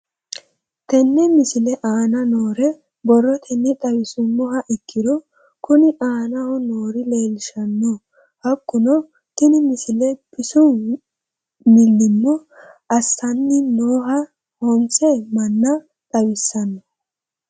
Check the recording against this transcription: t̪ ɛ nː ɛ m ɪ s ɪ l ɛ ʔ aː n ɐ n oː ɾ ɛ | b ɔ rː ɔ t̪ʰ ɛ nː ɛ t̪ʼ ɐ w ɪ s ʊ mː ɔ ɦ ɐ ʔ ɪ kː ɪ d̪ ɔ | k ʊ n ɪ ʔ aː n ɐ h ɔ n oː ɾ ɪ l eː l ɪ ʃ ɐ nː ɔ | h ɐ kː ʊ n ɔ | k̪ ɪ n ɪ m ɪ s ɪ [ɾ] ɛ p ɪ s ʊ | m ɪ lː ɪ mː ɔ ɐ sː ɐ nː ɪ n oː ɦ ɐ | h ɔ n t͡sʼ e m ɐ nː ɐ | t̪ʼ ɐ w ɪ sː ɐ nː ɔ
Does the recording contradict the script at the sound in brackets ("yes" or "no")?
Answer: yes